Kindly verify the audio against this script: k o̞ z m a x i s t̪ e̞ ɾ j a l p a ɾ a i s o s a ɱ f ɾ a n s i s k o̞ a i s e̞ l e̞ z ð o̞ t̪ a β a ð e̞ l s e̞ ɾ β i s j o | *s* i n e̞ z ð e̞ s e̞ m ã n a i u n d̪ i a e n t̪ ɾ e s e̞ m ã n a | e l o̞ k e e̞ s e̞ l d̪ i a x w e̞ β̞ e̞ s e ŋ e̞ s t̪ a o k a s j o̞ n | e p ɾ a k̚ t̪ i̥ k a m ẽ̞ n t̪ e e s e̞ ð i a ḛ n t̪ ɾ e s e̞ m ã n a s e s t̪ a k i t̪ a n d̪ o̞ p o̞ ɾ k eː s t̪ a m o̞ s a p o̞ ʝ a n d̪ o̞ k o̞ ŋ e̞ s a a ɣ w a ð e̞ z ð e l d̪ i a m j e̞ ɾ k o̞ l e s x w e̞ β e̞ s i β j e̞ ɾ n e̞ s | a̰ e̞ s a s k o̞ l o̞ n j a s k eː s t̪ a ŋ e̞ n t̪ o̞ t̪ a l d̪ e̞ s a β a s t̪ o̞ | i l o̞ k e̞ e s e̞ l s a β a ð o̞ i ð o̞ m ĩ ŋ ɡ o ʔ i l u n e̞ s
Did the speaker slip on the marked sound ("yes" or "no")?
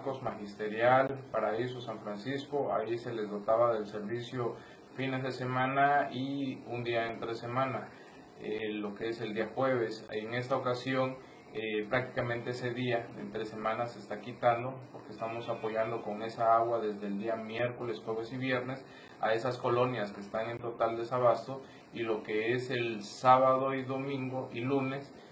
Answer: yes